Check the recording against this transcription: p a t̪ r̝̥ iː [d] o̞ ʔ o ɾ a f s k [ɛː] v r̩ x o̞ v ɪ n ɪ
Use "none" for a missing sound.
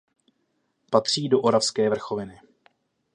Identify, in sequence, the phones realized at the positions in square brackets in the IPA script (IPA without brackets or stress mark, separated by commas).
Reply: d, ɛː